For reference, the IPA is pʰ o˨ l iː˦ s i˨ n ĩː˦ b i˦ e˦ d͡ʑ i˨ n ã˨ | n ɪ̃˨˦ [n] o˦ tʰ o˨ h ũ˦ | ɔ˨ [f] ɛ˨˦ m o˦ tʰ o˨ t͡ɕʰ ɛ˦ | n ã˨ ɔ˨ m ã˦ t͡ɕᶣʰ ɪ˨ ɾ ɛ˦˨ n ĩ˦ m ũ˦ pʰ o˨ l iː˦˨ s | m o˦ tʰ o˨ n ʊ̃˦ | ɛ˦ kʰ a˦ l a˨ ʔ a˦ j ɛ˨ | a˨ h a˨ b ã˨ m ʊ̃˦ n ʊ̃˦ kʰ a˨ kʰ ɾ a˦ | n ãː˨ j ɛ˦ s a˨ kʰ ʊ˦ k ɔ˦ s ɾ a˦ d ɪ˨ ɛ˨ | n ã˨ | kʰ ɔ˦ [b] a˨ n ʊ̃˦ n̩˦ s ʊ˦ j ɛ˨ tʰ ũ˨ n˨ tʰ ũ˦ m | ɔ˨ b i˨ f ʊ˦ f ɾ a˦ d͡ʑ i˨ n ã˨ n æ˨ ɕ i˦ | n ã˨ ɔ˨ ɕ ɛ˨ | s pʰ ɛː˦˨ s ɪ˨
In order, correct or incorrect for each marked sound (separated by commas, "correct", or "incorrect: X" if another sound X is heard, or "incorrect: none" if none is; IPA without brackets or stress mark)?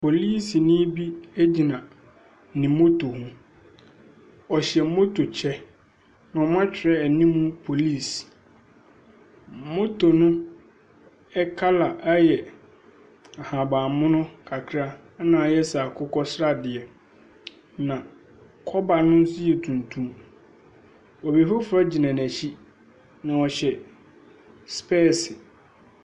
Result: incorrect: m, incorrect: ɕ, correct